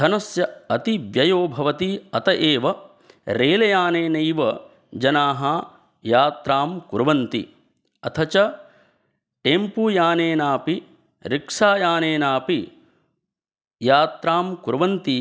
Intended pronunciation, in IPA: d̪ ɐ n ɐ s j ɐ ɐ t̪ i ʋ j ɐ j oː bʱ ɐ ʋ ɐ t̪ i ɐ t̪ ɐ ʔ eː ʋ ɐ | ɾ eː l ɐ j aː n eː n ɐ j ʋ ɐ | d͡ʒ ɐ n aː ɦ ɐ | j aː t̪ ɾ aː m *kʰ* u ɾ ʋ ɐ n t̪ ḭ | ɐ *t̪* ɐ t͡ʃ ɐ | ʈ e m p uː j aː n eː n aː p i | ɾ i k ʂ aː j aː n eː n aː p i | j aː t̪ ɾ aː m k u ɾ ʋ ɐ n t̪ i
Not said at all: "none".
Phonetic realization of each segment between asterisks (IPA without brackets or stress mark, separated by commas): k, t̪ʰ